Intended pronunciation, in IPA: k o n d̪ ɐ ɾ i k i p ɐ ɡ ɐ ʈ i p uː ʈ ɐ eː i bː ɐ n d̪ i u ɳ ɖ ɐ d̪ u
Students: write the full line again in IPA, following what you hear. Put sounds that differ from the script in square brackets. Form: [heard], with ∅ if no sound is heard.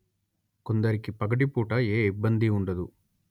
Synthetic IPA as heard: k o n d̪ ɐ ɾ i k i p ɐ ɡ ɐ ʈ i p uː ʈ ɐ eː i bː ɐ n d̪ i u ɳ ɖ ɐ d̪ u